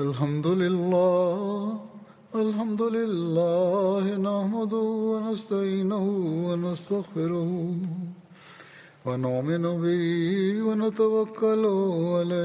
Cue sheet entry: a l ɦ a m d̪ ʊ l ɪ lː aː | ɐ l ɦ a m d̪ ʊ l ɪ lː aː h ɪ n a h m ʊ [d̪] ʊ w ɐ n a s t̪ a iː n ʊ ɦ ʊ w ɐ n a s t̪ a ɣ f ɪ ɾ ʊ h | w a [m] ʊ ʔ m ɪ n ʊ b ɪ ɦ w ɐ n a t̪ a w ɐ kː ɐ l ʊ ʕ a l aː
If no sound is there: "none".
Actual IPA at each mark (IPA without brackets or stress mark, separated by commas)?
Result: d̪, n